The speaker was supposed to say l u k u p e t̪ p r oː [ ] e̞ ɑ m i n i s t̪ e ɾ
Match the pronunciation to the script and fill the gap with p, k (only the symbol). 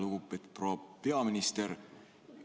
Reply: p